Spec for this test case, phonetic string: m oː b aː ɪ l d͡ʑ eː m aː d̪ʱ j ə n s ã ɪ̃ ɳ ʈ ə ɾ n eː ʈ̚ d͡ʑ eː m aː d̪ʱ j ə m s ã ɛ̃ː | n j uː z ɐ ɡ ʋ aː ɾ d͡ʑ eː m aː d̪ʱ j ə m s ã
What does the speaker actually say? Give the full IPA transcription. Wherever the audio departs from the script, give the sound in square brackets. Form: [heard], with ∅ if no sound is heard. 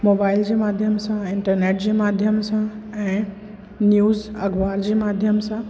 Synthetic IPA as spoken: m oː b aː ɪ l d͡ʑ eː m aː d̪ʱ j ə [m] s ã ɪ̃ ɳ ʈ ə ɾ n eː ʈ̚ d͡ʑ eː m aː d̪ʱ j ə m s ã ɛ̃ː | n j uː z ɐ ɡ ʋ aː ɾ d͡ʑ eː m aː d̪ʱ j ə m s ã